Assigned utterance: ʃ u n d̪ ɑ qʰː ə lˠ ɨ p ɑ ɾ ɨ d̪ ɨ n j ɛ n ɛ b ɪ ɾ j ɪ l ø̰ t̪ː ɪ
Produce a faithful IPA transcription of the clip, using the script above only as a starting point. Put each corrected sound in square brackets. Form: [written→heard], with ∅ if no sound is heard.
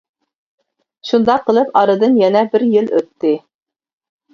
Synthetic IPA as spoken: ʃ u n d̪ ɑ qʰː ə lˠ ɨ p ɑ ɾ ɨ d̪ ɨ n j ɛ n ɛ b ɪ ɾ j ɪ l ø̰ t̪ː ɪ